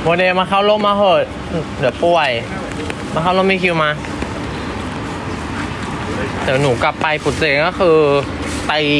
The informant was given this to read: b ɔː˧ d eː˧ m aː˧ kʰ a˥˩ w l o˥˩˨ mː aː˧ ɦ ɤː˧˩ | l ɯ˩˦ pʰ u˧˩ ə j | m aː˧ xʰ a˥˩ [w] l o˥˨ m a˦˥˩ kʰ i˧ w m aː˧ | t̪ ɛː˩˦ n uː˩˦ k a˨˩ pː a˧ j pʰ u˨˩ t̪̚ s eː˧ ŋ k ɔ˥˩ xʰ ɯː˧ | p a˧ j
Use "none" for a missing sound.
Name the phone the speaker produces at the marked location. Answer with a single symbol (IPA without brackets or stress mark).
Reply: w